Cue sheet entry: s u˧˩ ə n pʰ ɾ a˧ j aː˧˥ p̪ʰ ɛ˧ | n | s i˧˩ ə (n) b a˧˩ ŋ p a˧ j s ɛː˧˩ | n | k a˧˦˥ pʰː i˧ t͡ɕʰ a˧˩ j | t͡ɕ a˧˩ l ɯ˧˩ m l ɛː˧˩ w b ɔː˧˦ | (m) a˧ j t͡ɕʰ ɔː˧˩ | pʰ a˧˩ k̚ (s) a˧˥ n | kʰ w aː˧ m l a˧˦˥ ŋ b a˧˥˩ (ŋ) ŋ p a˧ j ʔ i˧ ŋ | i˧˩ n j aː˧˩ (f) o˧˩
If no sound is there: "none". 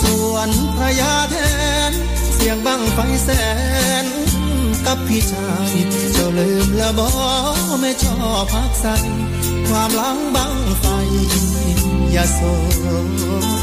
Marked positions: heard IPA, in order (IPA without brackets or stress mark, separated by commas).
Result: ŋ, m, s, ŋ, s